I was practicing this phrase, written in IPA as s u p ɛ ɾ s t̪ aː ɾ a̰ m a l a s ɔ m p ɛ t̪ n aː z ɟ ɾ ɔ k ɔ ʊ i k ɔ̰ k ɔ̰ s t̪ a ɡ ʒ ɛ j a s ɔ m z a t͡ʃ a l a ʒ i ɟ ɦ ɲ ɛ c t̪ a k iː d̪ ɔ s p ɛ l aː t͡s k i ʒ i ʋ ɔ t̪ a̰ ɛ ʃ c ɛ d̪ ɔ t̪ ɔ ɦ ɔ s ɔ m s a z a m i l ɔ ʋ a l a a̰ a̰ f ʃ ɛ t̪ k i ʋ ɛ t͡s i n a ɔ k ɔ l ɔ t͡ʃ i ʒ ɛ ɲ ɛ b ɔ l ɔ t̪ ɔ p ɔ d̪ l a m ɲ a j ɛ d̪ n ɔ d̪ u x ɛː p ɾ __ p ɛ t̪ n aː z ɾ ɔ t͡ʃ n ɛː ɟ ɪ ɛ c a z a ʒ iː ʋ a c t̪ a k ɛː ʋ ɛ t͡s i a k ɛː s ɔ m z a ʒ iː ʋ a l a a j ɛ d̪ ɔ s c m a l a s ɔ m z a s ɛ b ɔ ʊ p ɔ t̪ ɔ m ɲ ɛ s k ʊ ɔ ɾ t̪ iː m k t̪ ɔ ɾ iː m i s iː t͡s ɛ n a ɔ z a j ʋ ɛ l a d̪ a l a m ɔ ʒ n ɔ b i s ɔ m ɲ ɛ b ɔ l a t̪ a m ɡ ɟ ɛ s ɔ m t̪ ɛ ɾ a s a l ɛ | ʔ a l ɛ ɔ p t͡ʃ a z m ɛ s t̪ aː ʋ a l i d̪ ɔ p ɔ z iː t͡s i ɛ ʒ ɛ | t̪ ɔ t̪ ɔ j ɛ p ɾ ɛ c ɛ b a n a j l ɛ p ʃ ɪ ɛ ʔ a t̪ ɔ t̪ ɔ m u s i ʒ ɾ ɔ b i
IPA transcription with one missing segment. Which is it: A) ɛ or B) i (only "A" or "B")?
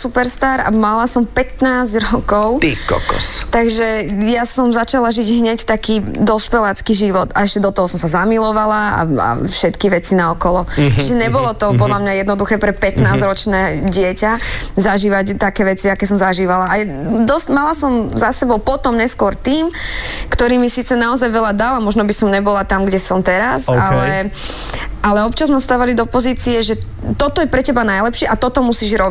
A